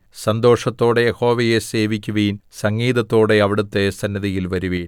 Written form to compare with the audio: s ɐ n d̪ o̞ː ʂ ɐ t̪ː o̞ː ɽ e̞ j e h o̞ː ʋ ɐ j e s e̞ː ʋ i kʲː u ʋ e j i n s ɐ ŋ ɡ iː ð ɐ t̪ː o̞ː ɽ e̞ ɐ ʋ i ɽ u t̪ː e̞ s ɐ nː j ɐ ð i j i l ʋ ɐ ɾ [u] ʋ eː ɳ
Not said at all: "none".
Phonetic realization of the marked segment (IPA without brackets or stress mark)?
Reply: u